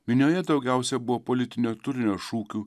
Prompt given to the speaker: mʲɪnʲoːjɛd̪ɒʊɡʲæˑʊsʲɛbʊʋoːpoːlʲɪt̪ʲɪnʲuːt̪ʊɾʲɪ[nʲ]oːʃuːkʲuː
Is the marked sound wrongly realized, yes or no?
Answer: no